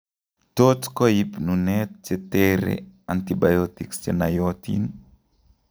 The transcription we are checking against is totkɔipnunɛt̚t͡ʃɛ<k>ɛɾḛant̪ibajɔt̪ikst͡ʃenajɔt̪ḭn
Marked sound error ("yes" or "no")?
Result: yes